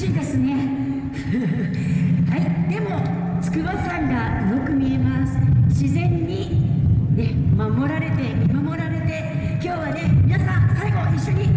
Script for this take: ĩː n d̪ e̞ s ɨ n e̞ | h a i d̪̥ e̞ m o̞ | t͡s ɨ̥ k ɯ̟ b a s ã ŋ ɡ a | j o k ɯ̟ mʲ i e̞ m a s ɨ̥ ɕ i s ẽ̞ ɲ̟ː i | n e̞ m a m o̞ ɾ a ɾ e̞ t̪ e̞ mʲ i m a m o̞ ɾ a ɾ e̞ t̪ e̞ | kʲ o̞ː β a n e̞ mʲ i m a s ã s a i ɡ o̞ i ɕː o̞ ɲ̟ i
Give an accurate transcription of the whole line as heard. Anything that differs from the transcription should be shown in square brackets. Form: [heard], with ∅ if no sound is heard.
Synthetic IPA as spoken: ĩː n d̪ e̞ s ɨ n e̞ | h a i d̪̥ e̞ m o̞ | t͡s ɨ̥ k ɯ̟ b a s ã ŋ ɡ a | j o k ɯ̟ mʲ i e̞ m a s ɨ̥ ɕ i [z] ẽ̞ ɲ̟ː i | n e̞ m a m o̞ ɾ a ɾ e̞ t̪ e̞ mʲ i m a m o̞ ɾ a ɾ e̞ t̪ e̞ | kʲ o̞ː β a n e̞ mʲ i [n] a s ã s a i ɡ o̞ i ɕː o̞ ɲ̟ i